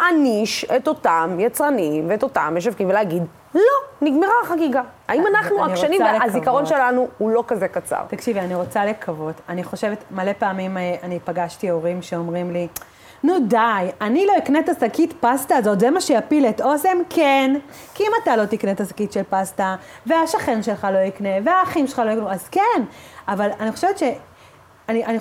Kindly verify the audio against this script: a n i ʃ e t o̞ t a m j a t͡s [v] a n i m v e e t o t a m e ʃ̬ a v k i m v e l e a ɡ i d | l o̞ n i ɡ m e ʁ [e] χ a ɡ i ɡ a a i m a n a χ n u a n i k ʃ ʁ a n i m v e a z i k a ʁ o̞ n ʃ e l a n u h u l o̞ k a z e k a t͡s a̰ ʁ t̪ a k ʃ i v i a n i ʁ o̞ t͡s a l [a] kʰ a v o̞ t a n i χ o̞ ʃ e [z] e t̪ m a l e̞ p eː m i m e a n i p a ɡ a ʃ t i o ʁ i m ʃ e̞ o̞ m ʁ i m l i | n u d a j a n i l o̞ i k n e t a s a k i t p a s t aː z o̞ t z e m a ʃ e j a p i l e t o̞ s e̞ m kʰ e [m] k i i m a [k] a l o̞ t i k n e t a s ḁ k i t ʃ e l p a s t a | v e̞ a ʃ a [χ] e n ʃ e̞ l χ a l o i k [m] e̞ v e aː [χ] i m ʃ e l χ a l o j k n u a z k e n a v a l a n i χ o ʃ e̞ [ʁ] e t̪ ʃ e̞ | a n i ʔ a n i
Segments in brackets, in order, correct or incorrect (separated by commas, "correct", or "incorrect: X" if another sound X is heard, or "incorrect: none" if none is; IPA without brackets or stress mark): incorrect: ʁ, incorrect: a, incorrect: e, incorrect: v, incorrect: n, incorrect: t, correct, incorrect: n, correct, incorrect: v